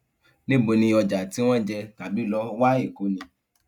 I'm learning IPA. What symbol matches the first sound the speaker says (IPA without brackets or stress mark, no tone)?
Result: n